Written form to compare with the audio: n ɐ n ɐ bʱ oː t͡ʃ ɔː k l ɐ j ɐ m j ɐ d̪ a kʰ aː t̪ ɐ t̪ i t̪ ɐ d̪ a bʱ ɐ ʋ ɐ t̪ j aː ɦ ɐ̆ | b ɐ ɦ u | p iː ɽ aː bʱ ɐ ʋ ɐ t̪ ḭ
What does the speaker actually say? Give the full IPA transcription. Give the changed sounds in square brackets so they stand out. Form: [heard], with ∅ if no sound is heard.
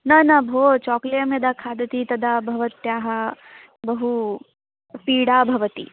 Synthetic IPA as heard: n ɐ n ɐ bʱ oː t͡ʃ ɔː k l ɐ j ɐ m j ɐ d̪ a kʰ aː [d̪] ɐ t̪ i t̪ ɐ d̪ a bʱ ɐ ʋ ɐ t̪ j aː ɦ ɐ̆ | b ɐ ɦ u | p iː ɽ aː bʱ ɐ ʋ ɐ t̪ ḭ